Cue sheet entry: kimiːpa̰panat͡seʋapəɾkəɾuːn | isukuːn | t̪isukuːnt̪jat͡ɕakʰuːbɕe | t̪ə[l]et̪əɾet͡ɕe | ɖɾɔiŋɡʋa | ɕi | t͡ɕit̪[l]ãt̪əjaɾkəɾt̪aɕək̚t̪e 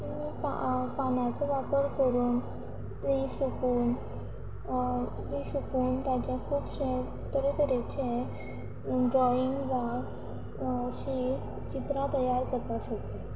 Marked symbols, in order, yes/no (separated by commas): no, no